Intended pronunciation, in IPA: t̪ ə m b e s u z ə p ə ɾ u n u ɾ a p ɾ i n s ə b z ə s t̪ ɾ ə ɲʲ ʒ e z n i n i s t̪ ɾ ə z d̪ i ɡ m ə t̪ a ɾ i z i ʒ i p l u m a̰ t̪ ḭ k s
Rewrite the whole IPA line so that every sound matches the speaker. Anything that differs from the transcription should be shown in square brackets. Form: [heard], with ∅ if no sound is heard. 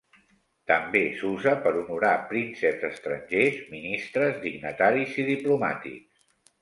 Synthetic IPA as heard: t̪ ə m b e s u z ə p ə ɾ u n u ɾ a p ɾ i n s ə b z ə s t̪ ɾ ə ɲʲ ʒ e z [m] i n i s t̪ ɾ ə z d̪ i ɡ [n] ə t̪ a ɾ i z i [ð] i p l u m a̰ t̪ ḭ k s